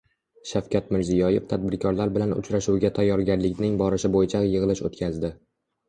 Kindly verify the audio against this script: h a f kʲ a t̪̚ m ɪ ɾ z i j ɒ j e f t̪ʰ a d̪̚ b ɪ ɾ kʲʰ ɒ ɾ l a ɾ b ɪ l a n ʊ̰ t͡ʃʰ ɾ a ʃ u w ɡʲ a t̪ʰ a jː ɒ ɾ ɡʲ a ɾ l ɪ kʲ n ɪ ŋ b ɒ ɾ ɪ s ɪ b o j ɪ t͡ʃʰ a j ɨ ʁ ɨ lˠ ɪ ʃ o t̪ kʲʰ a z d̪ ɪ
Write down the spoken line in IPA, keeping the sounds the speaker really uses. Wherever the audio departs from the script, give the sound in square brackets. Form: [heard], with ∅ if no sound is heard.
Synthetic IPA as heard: [ʃ] a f kʲ a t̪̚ m ɪ ɾ z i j ɒ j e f t̪ʰ a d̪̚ b ɪ ɾ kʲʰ ɒ ɾ l a ɾ b ɪ l a n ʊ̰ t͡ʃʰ ɾ a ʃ u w ɡʲ a t̪ʰ a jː ɒ ɾ ɡʲ a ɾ l ɪ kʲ n ɪ ŋ b ɒ ɾ ɪ [ʃ] ɪ b o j ɪ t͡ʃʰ a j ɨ ʁ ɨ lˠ ɪ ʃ o t̪ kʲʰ a z d̪ ɪ